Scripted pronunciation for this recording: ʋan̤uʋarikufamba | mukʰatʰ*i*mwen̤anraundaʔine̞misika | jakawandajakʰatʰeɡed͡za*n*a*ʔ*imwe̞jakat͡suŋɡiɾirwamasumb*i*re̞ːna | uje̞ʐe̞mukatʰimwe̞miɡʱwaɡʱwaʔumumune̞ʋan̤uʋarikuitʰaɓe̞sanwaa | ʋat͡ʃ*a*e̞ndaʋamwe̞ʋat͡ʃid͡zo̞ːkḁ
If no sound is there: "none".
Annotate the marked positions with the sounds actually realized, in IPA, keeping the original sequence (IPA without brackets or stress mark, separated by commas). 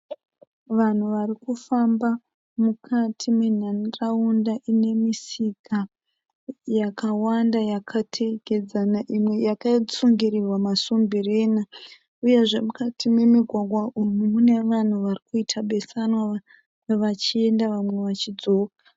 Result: i, n, ʔ, i, i